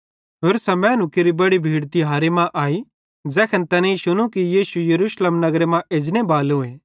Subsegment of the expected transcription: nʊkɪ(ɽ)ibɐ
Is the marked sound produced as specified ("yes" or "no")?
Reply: no